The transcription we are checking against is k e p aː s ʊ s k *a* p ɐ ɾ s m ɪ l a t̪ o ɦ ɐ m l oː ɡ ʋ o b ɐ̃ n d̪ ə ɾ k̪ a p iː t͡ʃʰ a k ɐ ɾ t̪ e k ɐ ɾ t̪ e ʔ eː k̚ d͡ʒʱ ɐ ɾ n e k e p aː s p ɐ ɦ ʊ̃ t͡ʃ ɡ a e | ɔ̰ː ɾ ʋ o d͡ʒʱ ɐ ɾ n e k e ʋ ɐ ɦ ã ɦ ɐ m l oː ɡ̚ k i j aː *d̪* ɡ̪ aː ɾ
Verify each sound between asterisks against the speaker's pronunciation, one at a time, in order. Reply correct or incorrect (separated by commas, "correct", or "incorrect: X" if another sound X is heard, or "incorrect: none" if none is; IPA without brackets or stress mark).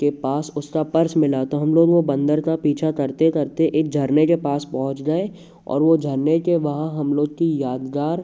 correct, correct